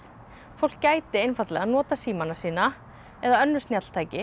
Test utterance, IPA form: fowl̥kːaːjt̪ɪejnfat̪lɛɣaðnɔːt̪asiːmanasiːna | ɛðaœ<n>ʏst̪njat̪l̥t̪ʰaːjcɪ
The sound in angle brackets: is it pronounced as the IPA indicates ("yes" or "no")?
no